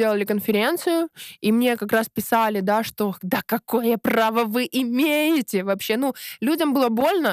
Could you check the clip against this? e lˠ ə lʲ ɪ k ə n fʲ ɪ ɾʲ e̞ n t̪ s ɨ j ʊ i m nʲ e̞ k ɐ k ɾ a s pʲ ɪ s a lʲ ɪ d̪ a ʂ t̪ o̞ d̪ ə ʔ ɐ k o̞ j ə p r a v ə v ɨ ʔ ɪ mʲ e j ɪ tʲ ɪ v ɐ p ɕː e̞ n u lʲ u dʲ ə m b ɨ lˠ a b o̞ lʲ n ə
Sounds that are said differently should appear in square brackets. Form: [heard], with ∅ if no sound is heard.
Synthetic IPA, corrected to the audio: e lˠ ə lʲ ɪ k ə n fʲ ɪ ɾʲ e̞ n t̪ s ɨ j ʊ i m nʲ e̞ k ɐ k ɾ a s pʲ ɪ s a lʲ ɪ d̪ a ʂ t̪ o̞ d̪ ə [k] ɐ k o̞ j ə p r a v ə v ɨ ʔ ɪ mʲ e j ɪ tʲ ɪ v ɐ p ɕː e̞ n u lʲ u dʲ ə m b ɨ lˠ [ə] b o̞ lʲ n ə